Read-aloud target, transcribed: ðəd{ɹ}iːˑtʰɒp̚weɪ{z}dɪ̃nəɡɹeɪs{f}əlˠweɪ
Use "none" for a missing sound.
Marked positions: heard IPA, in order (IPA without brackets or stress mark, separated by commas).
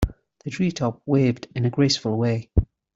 ɹ, v, f